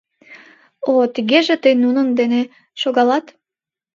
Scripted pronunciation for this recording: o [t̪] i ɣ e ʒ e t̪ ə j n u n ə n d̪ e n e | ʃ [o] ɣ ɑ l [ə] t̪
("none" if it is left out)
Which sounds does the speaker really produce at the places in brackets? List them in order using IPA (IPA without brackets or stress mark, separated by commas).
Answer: t̪, o, ɑ